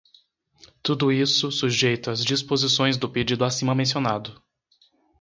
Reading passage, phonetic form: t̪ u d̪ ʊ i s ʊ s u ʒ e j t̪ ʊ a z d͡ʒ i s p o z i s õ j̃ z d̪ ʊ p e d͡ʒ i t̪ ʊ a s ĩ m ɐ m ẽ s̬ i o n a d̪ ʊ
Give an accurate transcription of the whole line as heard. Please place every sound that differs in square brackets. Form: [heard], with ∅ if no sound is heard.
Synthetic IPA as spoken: t̪ u d̪ ʊ i s ʊ s u ʒ e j t̪ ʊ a z d͡ʒ i s p o z i s õ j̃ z d̪ ʊ p e d͡ʒ i [d̪] ʊ a s ĩ m ɐ m ẽ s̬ i o n a d̪ ʊ